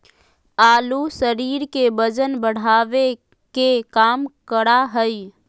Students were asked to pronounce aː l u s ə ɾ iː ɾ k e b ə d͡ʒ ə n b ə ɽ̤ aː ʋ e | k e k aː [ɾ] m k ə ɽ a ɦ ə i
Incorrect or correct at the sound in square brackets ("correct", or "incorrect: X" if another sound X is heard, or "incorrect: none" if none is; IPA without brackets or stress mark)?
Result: incorrect: none